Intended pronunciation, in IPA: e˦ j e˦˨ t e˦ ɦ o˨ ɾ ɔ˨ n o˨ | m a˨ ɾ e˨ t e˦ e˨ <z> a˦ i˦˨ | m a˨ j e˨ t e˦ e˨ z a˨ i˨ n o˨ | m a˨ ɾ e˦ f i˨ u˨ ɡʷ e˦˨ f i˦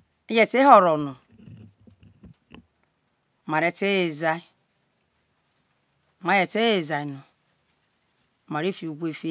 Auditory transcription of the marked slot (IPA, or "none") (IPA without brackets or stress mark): z